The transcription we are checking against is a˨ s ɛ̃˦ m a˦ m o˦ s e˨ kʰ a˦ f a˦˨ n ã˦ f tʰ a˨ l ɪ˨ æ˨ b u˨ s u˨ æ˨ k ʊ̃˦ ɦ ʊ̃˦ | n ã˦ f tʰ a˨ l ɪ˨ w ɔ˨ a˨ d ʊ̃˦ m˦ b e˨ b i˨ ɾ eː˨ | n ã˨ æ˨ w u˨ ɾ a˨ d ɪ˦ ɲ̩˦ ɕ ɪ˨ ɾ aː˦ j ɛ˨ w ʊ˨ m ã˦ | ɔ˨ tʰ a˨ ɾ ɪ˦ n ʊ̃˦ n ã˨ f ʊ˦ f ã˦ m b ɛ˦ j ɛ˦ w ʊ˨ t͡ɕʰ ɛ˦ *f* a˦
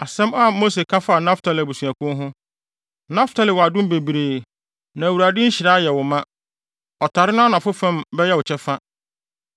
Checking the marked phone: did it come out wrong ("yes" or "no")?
no